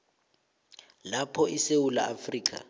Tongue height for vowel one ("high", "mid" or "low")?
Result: low